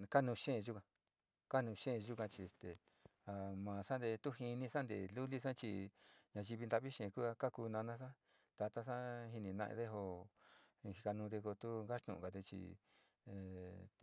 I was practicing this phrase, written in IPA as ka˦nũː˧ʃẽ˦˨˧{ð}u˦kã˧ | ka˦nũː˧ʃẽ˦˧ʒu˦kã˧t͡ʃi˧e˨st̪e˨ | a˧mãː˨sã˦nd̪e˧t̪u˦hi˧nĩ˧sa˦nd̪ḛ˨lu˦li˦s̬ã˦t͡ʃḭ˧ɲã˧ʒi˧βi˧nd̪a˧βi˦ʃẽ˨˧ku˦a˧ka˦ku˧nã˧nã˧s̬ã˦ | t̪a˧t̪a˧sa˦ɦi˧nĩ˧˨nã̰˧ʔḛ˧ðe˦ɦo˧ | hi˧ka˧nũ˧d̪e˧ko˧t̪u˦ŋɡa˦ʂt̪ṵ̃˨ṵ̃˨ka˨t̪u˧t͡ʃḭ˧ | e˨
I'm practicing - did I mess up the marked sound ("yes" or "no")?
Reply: yes